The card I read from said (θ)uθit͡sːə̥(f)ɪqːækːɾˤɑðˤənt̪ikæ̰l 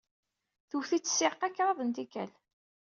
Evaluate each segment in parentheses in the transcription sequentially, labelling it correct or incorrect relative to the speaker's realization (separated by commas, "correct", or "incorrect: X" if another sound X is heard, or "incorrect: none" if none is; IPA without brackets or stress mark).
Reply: correct, incorrect: s